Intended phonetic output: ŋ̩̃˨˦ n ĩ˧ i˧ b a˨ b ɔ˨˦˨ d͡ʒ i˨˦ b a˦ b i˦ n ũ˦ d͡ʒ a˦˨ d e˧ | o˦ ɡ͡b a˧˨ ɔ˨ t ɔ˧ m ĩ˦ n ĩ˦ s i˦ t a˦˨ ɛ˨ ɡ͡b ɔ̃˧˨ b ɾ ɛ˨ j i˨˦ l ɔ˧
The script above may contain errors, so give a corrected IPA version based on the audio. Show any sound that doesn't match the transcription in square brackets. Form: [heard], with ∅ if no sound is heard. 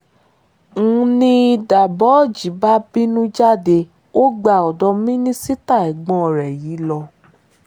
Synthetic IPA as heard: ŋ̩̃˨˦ n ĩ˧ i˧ [d] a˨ b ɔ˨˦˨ d͡ʒ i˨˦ b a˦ b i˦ n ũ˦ d͡ʒ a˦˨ d e˧ | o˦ ɡ͡b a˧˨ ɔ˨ [d] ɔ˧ m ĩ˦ n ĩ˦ s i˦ t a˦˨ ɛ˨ ɡ͡b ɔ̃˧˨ [∅] ɾ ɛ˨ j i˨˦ l ɔ˧